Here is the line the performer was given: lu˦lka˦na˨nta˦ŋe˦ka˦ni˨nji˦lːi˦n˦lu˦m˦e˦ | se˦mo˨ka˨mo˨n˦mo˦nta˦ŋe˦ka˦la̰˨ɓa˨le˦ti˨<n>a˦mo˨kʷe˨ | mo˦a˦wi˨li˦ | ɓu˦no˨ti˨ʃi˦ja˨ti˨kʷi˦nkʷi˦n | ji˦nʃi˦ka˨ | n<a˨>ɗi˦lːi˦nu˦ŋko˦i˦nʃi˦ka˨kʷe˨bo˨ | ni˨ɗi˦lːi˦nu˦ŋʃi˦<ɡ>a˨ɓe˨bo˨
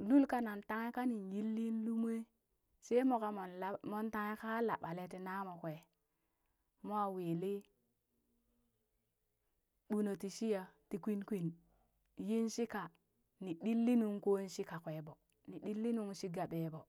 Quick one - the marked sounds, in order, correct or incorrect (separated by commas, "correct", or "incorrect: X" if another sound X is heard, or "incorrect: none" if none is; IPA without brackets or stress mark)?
correct, incorrect: i˨, correct